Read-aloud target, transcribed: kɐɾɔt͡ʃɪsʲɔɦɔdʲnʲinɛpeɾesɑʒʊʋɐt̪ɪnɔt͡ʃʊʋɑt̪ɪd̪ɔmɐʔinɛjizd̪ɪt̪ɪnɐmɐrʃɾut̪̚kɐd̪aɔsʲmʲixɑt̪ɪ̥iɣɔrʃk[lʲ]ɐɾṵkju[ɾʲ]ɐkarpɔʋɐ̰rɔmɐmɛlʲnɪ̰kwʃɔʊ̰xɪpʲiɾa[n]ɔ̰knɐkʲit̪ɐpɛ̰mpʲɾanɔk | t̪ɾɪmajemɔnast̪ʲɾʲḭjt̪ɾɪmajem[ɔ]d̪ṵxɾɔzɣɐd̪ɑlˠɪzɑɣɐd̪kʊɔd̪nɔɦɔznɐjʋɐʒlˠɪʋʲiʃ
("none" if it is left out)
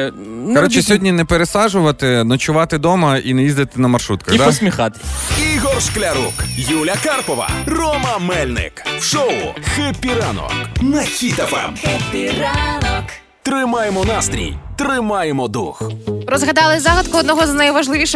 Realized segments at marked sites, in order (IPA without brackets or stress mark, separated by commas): lʲ, lʲ, n, ɔ